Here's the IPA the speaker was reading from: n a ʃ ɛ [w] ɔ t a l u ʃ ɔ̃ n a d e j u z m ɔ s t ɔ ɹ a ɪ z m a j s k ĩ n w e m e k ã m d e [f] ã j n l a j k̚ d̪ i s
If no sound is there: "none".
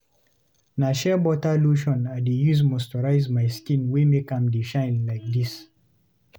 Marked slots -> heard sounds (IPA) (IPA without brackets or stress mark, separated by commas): b, ʃ